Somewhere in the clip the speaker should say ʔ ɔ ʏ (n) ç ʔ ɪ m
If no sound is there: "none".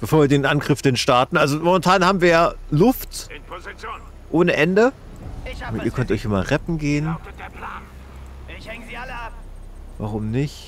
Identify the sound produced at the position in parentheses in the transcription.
none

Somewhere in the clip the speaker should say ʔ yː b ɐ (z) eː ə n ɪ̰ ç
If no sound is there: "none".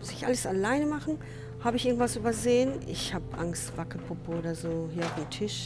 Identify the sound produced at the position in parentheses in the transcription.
z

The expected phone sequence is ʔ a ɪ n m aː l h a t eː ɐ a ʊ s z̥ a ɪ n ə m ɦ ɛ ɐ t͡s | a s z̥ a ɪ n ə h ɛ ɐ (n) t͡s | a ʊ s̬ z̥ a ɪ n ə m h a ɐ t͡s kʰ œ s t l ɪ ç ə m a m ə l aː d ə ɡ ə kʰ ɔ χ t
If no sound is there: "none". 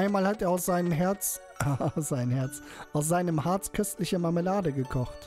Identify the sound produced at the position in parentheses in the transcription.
none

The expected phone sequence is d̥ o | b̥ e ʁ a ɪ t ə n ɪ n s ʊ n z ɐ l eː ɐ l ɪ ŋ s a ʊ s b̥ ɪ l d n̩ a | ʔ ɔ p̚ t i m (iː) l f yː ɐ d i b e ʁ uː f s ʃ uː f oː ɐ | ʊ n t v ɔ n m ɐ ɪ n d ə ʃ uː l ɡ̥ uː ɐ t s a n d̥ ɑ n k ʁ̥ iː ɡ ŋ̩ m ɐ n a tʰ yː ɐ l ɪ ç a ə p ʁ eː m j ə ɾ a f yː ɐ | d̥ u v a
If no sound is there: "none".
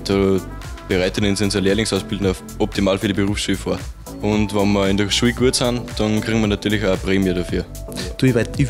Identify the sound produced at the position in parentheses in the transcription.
aː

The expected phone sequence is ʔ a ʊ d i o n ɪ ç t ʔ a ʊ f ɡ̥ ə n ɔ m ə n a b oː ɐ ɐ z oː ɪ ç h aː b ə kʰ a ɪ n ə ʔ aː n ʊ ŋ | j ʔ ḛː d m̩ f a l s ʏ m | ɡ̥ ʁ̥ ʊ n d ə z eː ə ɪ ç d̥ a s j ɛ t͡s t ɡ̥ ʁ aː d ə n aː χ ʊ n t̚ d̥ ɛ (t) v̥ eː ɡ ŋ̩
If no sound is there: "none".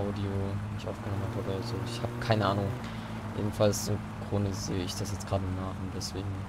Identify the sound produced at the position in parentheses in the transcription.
s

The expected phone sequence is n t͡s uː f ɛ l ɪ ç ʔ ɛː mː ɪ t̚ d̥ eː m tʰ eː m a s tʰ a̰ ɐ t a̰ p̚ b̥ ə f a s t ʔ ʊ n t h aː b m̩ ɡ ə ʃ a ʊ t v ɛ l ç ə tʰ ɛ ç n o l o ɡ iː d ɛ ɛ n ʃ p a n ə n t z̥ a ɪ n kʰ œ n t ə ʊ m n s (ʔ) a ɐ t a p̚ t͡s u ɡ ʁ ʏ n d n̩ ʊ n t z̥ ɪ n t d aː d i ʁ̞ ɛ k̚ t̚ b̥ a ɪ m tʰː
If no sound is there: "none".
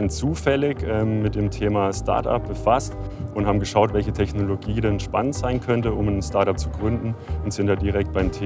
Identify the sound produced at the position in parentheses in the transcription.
t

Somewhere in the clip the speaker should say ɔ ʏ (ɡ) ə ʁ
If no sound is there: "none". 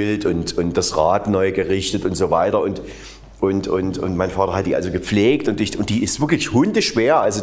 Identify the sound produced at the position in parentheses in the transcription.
ɡ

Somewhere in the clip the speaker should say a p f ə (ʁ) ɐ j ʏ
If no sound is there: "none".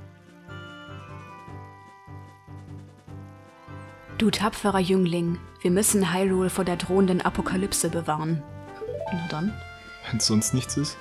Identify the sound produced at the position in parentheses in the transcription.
ʁ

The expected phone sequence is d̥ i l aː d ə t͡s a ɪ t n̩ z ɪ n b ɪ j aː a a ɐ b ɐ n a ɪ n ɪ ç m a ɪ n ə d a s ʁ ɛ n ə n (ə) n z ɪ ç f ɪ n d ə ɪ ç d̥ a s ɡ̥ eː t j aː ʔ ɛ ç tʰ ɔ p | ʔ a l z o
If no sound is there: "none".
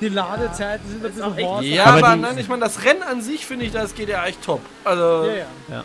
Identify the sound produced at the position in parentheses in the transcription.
a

